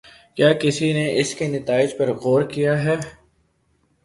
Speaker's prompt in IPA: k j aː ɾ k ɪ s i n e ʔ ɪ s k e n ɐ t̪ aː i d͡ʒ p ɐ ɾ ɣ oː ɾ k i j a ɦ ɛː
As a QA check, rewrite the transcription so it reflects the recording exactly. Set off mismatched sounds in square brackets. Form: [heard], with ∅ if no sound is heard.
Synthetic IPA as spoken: k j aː [∅] k ɪ s i n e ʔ ɪ s k e n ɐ t̪ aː [ɪ] d͡ʒ p ɐ ɾ ɣ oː ɾ k i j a ɦ ɛː